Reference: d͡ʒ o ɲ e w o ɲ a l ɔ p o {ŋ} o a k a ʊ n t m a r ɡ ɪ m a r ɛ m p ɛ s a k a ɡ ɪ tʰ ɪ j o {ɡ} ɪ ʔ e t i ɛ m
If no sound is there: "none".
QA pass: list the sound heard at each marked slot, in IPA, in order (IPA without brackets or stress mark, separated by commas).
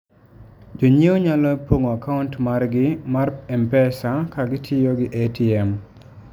ŋ, ɡ